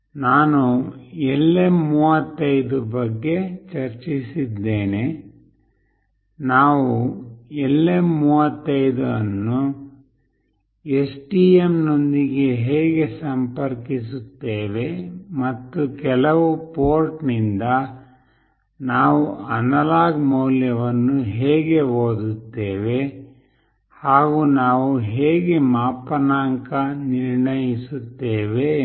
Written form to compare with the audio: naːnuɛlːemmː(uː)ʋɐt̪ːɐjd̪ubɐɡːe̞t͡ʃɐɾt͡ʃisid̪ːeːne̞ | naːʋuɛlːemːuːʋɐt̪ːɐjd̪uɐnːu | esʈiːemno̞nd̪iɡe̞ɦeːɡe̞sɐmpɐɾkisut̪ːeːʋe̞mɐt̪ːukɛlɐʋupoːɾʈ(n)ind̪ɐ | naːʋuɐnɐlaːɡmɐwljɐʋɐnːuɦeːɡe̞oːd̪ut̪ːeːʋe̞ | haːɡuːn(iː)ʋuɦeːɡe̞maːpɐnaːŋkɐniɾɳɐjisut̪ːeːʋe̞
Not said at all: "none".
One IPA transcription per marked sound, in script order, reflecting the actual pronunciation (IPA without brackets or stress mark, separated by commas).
uː, n, aː